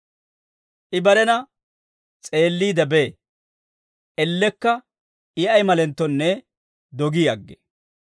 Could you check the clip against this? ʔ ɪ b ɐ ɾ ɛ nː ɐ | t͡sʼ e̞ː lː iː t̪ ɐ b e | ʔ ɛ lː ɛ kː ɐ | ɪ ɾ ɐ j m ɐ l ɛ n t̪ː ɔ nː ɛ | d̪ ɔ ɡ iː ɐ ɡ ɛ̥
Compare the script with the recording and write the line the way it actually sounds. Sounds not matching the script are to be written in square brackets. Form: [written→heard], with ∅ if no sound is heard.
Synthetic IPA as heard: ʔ ɪ b ɐ ɾ ɛ [nː→n] ɐ | t͡sʼ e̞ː lː iː [t̪→d̪] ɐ b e | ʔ ɛ lː ɛ kː ɐ | ɪ [ɾ→∅] ɐ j m ɐ l ɛ n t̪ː ɔ nː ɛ | d̪ ɔ ɡ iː ɐ [ɡ→ɡː] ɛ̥